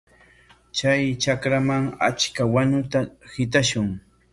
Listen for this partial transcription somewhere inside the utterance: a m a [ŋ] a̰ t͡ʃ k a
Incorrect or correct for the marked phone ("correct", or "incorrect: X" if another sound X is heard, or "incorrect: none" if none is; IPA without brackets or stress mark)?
correct